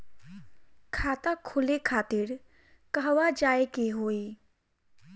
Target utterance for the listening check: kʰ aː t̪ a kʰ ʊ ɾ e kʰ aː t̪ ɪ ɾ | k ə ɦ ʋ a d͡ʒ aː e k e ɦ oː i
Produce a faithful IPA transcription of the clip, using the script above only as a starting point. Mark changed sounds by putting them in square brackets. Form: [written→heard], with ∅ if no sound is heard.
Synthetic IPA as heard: kʰ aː t̪ a kʰ ʊ [ɾ→l] e kʰ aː t̪ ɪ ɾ | k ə ɦ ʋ a d͡ʒ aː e k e ɦ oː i